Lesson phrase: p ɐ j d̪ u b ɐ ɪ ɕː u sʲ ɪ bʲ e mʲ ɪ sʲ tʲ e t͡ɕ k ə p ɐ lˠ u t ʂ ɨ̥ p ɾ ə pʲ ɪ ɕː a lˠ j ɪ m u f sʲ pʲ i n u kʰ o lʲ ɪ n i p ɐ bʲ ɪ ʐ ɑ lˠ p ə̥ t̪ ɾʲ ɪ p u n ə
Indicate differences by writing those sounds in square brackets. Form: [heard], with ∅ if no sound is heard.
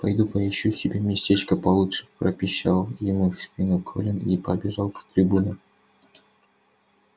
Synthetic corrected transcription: p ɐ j d̪ u [p] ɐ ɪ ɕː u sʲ ɪ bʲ e mʲ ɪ sʲ tʲ e t͡ɕ k ə p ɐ lˠ u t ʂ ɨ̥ p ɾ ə pʲ ɪ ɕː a lˠ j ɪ m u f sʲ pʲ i n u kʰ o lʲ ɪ n i p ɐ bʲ ɪ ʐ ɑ lˠ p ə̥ t̪ ɾʲ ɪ [b] u n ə